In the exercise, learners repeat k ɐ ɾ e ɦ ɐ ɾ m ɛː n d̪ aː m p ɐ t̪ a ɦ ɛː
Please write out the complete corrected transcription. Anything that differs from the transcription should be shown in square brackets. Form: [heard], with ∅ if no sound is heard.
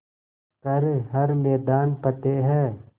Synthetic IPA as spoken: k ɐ ɾ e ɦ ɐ ɾ m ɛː [∅] d̪ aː [n] p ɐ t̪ [e] ɦ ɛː